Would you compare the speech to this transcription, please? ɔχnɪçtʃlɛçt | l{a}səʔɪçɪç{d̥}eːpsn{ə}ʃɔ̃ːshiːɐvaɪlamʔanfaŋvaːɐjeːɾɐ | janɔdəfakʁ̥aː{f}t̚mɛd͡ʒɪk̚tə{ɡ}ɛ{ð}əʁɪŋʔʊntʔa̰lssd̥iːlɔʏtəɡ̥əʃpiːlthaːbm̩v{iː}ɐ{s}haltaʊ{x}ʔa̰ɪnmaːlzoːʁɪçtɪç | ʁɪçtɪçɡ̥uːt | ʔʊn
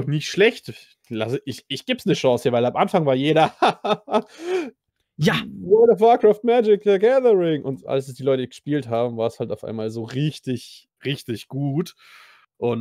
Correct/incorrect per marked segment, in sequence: correct, incorrect: ɡ̥, correct, correct, correct, correct, incorrect: aː, correct, incorrect: f

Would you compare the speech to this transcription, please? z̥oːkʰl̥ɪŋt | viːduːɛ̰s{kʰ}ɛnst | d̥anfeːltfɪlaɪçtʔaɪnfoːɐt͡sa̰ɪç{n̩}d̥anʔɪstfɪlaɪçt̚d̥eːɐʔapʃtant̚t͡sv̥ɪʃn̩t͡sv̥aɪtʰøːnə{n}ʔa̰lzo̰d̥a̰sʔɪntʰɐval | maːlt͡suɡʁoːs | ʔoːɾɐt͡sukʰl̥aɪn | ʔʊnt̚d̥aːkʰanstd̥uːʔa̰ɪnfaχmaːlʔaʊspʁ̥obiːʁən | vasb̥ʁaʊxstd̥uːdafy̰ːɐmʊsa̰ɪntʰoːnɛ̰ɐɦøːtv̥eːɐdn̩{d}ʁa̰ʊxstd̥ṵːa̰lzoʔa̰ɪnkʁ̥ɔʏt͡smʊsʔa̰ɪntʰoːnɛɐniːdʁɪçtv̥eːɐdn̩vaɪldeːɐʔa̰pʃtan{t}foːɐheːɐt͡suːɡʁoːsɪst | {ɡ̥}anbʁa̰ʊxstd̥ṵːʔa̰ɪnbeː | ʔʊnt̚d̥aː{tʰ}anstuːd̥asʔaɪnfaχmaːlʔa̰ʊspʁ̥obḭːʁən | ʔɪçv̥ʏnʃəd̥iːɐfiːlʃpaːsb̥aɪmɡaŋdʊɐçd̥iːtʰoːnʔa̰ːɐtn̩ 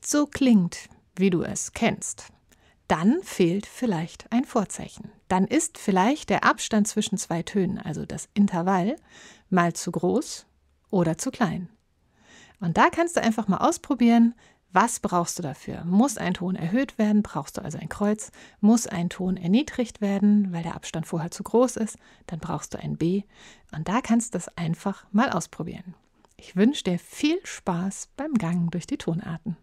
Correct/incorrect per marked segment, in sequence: correct, correct, correct, incorrect: b, correct, incorrect: d̥, incorrect: kʰ

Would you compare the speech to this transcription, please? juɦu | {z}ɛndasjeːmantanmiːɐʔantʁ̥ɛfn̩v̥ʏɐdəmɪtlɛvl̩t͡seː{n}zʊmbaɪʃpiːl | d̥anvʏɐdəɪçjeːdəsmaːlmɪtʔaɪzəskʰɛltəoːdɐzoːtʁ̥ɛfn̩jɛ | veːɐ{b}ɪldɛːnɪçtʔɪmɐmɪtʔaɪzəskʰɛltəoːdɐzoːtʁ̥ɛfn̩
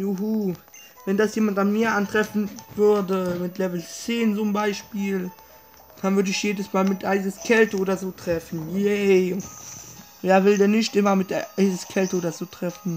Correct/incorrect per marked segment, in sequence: incorrect: v, correct, incorrect: v

